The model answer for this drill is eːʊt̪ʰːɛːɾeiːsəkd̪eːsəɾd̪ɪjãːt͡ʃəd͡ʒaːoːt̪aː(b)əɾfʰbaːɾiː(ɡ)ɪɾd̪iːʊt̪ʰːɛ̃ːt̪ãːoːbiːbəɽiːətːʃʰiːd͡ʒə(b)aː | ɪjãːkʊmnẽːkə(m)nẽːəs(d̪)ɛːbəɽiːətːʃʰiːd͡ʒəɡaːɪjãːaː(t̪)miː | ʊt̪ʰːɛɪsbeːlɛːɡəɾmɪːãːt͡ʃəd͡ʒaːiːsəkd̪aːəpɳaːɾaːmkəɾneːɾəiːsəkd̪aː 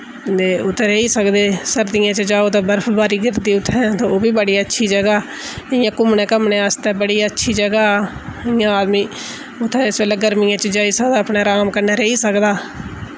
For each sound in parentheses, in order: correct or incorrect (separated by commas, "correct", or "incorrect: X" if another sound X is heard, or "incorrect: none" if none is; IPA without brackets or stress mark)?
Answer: correct, correct, incorrect: ɡ, correct, incorrect: t̪, incorrect: d̪